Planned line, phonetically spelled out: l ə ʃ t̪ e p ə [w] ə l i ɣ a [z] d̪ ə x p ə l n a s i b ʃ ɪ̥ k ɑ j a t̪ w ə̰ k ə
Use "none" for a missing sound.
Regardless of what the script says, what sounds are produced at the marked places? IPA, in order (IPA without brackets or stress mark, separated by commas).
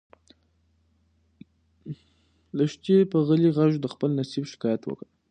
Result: ɣ, ʒ